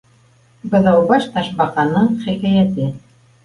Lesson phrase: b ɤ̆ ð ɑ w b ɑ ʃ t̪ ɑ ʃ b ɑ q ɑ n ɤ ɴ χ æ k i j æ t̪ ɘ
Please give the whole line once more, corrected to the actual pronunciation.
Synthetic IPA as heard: b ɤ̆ ð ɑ w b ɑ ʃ t̪ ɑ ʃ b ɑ q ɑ n ɤ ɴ χ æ k æ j æ t̪ ɘ